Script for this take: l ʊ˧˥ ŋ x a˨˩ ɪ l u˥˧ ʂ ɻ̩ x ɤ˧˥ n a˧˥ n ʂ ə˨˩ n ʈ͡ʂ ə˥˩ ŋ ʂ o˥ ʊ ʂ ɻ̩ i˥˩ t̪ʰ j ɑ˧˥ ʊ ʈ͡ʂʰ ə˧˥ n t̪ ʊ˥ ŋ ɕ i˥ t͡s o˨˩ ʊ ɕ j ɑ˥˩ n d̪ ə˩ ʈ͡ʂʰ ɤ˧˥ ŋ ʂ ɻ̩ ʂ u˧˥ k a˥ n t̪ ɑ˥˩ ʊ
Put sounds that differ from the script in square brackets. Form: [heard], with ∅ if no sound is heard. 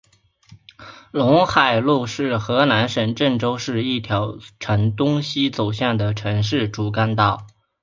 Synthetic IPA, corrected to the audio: l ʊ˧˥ ŋ x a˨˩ ɪ l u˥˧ ʂ ɻ̩ x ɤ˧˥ n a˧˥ n ʂ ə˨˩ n ʈ͡ʂ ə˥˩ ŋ [ʈ͡ʂ] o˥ ʊ ʂ ɻ̩ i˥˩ t̪ʰ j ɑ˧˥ ʊ ʈ͡ʂʰ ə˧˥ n t̪ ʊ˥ ŋ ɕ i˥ t͡s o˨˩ ʊ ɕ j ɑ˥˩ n d̪ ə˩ ʈ͡ʂʰ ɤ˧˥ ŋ ʂ ɻ̩ [ʈ͡ʂ] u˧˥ k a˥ n t̪ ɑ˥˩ ʊ